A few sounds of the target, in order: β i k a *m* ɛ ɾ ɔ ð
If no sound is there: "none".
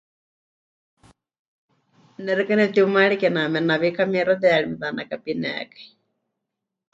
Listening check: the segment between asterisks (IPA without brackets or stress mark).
m